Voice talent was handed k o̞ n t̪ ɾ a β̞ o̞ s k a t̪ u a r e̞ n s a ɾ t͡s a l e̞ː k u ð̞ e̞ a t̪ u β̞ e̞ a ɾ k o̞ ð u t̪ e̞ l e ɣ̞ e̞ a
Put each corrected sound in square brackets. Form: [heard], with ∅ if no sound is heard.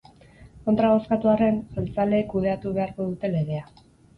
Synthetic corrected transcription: k o̞ n t̪ ɾ a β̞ o̞ s k a t̪ u a r e̞ n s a [l] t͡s a l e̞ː k u ð̞ e̞ a t̪ u β̞ e̞ a ɾ k o̞ ð u t̪ e̞ l e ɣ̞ e̞ a